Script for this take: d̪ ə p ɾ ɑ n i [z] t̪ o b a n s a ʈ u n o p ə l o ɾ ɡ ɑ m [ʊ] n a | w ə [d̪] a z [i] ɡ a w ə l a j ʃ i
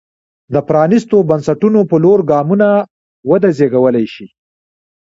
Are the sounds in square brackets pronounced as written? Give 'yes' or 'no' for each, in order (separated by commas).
no, no, yes, no